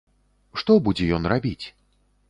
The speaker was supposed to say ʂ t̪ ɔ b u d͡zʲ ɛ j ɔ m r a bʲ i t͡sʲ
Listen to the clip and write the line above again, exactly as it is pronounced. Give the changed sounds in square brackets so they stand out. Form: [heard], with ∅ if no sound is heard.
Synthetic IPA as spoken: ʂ t̪ ɔ b u d͡zʲ ɛ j ɔ [n] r a bʲ i t͡sʲ